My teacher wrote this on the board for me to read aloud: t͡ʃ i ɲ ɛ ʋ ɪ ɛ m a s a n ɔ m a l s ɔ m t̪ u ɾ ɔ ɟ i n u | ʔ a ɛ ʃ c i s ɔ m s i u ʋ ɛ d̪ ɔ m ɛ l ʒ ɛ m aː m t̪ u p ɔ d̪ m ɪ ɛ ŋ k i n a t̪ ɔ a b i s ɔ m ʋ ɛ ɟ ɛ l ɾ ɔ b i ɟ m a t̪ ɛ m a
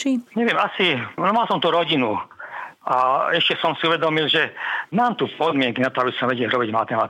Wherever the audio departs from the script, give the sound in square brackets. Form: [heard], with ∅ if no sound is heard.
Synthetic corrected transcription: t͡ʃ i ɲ ɛ ʋ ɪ ɛ m a s [i] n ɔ m a l s ɔ m t̪ u ɾ ɔ ɟ i n u | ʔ a ɛ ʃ c [ɛ] s ɔ m s i u ʋ ɛ d̪ ɔ m [i] l ʒ ɛ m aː m t̪ u p ɔ d̪ m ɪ ɛ ŋ k i n a t̪ ɔ a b i s ɔ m ʋ ɛ ɟ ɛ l ɾ ɔ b i ɟ m a t̪ ɛ m a